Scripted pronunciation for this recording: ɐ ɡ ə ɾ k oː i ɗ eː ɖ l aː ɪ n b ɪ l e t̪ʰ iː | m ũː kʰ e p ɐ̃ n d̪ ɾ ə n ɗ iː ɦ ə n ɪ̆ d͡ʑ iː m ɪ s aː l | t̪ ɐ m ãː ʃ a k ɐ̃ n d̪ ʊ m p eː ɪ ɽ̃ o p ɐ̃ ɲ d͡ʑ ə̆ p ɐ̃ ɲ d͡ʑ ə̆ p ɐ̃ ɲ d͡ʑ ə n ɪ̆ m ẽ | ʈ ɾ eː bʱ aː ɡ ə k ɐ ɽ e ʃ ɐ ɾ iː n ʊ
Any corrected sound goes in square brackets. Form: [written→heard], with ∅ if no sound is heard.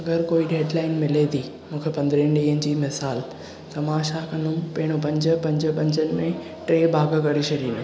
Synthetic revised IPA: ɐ ɡ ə ɾ k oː i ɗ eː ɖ l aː ɪ n [b→m] ɪ l e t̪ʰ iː | m ũː kʰ e p ɐ̃ n d̪ ɾ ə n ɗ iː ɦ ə n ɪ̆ d͡ʑ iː m ɪ s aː l | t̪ ɐ m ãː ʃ a k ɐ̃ n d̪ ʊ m p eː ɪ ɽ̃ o p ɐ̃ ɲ d͡ʑ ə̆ p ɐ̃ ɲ d͡ʑ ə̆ p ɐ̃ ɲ d͡ʑ ə n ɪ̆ m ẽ | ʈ ɾ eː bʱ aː ɡ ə k ɐ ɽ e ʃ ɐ ɾ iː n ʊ